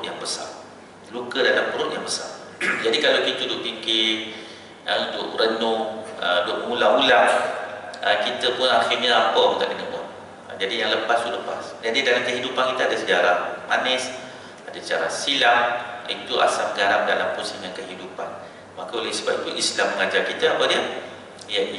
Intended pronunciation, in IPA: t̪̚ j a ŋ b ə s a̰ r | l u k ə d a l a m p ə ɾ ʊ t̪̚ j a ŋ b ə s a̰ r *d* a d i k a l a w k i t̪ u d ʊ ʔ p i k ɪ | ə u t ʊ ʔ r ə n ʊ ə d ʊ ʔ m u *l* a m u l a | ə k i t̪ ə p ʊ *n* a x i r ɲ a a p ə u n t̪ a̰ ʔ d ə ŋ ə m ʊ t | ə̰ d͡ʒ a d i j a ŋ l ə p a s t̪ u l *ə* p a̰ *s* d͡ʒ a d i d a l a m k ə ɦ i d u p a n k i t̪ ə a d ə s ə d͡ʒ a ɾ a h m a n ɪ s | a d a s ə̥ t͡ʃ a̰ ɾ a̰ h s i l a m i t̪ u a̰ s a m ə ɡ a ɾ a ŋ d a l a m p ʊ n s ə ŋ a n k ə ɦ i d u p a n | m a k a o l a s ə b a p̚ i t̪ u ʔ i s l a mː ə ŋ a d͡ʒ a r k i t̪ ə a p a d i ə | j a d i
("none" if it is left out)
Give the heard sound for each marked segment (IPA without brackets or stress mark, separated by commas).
d͡ʒ, l, n, ə, s